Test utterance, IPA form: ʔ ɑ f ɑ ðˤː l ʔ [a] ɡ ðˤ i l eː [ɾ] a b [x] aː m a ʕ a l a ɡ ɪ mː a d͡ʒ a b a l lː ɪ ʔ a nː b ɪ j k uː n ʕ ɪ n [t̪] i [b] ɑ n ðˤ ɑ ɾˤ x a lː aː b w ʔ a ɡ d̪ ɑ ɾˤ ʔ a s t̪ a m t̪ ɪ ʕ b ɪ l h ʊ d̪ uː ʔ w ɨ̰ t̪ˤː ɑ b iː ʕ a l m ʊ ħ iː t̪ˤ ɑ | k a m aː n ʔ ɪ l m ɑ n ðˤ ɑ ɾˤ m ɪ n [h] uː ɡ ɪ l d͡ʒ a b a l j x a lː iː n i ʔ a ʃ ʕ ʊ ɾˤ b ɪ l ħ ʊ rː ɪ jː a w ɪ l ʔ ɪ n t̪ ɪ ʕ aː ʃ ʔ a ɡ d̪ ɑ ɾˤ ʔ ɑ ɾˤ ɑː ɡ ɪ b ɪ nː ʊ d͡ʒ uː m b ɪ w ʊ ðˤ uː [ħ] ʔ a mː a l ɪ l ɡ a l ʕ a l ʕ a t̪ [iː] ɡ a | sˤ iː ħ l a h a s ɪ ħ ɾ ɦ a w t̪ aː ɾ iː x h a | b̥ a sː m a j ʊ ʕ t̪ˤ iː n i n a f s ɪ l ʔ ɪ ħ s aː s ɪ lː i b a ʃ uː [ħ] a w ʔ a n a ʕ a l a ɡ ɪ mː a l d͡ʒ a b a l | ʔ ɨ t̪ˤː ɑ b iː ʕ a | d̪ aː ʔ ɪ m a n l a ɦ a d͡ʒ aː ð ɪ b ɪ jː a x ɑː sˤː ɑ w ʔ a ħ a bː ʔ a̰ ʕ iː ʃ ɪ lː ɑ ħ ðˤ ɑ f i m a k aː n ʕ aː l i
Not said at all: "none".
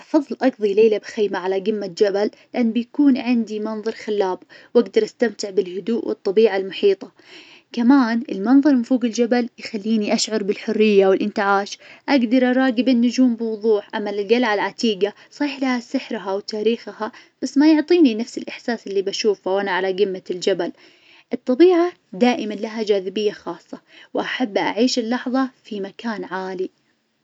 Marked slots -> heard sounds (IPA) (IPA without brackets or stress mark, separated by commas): ɑ, l, x, d̪, m, f, ħ, iː, f